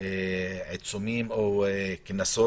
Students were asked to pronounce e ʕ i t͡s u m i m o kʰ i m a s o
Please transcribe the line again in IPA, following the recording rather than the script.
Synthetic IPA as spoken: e ʕ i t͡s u m i m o k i n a s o

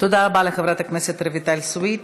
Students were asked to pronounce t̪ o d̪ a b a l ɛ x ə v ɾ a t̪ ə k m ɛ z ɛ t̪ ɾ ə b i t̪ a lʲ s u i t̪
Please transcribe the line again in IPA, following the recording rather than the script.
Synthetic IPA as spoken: t̪ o d̪ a b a l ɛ x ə v ɾ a t̪ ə k m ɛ s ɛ t̪ ɾ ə v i t̪ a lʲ s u i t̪

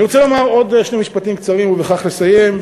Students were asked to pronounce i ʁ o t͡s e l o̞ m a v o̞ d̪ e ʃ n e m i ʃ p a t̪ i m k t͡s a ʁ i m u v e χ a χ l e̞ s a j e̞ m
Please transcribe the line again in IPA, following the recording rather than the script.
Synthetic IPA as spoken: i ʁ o t͡s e l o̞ m a ʁ o̞ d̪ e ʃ n e m i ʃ p a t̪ i m k t͡s a ʁ i m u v e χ a χ l e̞ s a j e̞ m

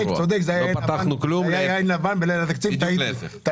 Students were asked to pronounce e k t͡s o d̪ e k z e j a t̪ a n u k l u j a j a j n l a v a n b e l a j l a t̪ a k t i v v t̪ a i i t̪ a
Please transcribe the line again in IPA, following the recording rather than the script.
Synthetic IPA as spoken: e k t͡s o d̪ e k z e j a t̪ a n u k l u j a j a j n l a v a n b e l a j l a t̪ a k t͡s i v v t̪ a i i t̪ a

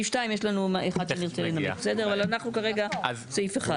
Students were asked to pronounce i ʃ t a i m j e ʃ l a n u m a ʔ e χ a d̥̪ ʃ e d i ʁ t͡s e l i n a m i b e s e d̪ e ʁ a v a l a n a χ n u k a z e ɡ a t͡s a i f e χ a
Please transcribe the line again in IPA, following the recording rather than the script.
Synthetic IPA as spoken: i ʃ t a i m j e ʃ l a n u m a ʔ e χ a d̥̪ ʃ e n i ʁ t͡s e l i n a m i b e s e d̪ e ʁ a v a l a n a χ n u k a ʁ e ɡ a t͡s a i f e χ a

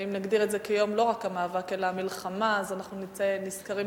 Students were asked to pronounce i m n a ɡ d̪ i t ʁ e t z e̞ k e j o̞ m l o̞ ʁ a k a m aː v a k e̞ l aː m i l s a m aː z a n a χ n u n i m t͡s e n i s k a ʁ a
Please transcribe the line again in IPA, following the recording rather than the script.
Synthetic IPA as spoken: i m n a ɡ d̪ i ʁ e t z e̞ k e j o̞ m l o̞ ʁ a k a m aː v a k e̞ l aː m i l χ a m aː z a n a χ n u n i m t͡s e n i s k a ʁ i

